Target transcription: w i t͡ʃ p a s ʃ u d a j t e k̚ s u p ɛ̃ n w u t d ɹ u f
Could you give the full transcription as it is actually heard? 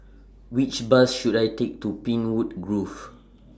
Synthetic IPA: w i t͡ʃ b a s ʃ u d a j t e k̚ t u p ĩ n w u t ɡ ɹ u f